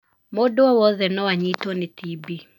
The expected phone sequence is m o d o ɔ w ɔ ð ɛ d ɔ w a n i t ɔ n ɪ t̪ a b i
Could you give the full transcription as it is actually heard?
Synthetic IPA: m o d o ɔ w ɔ ð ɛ n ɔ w a ɲ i t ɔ n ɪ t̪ i b i